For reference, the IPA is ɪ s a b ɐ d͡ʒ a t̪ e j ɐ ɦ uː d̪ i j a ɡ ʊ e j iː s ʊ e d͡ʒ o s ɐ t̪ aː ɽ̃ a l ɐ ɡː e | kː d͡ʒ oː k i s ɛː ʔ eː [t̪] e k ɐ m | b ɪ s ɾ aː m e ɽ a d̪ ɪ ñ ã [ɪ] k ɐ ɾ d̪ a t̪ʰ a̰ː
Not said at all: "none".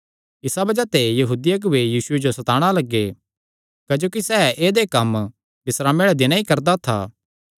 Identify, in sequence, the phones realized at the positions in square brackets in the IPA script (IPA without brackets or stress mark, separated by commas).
d̪, i